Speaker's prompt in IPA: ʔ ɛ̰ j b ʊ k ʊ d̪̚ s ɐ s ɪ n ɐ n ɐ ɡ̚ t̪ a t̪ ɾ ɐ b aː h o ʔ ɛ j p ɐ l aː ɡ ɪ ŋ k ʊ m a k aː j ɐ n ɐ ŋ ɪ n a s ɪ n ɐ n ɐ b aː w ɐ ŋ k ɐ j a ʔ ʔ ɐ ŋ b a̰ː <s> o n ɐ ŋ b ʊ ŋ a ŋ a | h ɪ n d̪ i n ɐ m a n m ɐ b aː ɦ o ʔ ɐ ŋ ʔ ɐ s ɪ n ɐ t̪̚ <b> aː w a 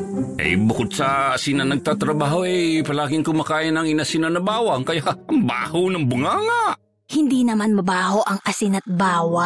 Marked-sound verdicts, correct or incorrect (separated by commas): incorrect, correct